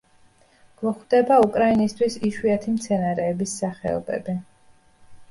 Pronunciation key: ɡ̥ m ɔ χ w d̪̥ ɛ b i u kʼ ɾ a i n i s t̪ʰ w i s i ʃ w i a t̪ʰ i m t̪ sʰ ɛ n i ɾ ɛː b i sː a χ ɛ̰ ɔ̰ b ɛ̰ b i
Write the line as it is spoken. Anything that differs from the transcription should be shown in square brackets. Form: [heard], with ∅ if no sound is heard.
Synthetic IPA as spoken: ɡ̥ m ɔ χ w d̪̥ ɛ b [a] u kʼ ɾ a i n i s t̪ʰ w i s i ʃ w i a t̪ʰ i m t̪ sʰ ɛ n [a] ɾ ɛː b i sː a χ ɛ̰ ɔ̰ b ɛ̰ b i